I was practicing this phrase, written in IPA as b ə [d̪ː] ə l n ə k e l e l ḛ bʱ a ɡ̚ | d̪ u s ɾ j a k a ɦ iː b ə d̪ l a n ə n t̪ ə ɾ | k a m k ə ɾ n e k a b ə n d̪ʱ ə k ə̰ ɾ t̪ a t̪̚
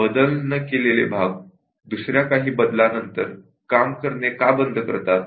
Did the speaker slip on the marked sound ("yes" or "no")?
yes